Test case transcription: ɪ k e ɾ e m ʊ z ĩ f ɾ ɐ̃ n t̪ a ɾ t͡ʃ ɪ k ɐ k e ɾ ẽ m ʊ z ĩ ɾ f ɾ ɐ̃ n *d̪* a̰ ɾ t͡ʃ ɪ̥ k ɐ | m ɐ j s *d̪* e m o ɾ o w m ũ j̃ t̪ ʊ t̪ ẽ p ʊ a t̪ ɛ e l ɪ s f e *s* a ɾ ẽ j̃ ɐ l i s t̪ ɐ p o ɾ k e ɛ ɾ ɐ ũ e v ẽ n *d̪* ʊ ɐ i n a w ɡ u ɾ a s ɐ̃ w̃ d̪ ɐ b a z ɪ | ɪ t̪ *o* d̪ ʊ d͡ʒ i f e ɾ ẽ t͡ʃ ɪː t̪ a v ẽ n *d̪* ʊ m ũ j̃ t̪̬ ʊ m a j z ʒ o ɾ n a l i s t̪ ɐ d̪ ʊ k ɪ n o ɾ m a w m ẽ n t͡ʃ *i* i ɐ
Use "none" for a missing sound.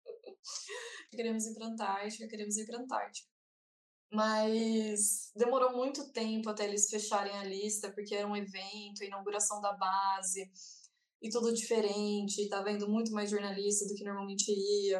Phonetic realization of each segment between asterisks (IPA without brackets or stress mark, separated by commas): t̪, d̪, ʃ, t̪, u, d̪, ɪ